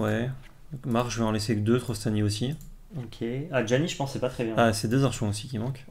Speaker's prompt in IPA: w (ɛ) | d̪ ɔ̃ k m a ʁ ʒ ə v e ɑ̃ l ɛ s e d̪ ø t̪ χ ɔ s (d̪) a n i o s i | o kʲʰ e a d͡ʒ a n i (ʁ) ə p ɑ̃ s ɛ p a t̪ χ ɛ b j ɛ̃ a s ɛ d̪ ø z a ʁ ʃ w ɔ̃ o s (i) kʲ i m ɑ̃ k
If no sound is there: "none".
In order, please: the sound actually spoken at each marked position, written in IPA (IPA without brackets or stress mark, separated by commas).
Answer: ɛ, t̪, ʒ, i